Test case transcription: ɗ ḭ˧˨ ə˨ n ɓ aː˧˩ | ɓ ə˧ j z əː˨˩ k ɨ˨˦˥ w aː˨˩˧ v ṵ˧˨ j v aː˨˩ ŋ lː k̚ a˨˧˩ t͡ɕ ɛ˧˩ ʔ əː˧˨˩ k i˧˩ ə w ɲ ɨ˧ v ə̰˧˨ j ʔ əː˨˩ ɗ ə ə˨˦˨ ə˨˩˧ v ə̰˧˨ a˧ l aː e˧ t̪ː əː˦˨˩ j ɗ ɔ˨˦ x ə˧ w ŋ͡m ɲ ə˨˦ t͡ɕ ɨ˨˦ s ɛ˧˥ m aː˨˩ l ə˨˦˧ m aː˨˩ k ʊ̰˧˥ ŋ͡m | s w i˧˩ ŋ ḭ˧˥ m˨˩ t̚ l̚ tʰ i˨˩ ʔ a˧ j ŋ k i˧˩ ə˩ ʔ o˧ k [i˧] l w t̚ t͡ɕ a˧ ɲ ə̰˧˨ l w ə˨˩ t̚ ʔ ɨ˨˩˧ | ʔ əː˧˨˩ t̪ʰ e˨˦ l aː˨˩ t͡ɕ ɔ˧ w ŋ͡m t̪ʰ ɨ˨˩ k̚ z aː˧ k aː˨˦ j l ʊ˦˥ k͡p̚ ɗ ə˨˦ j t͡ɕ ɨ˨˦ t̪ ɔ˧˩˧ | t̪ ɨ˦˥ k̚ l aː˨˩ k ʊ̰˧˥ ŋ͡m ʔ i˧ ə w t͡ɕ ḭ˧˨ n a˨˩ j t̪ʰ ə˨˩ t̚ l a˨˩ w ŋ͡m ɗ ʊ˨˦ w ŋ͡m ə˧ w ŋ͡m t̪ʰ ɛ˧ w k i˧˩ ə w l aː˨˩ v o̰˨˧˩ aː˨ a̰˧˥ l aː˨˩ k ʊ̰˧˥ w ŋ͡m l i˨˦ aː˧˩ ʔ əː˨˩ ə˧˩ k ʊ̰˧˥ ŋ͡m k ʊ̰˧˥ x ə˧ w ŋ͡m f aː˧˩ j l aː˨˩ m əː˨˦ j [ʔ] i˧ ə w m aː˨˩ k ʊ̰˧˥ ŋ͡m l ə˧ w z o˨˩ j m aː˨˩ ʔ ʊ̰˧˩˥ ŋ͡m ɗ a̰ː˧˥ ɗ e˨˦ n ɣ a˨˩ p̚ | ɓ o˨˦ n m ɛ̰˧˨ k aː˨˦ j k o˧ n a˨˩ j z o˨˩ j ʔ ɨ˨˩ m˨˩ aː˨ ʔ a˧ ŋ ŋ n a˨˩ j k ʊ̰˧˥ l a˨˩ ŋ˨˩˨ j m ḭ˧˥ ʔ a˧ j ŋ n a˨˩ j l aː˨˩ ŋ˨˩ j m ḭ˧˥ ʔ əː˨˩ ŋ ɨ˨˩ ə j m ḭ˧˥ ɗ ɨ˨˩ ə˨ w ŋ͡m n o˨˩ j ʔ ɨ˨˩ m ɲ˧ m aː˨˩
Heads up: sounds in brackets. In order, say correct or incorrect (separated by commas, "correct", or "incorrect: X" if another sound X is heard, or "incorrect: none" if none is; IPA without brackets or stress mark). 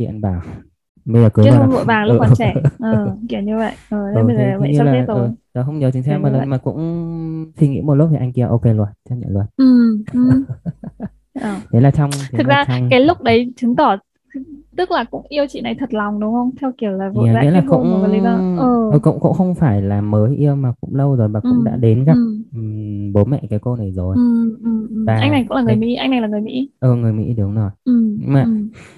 incorrect: e˧, correct